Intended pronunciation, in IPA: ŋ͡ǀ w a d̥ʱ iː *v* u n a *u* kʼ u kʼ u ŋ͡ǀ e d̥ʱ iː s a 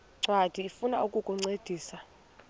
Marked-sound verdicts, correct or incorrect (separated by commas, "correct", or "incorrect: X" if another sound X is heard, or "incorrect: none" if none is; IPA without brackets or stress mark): incorrect: f, correct